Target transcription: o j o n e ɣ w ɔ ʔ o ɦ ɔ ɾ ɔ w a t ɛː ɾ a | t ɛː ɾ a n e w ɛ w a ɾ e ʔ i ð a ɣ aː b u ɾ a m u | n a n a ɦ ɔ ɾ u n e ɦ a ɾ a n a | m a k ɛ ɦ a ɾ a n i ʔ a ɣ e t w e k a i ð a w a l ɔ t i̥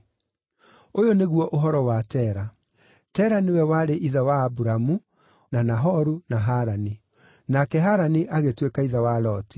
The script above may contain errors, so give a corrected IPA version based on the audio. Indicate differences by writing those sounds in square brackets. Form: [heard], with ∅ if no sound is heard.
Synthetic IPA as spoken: o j o n e ɣ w ɔ ʔ o ɦ ɔ ɾ ɔ w a t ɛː ɾ a | t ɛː ɾ a n e w ɛ w a ɾ e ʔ i ð a [w] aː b u ɾ a m u | n a n a ɦ ɔ ɾ u n [a] ɦ a ɾ a n [i] | [n] a k ɛ ɦ a ɾ a n i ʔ a ɣ e t w e k a i ð a w a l ɔ t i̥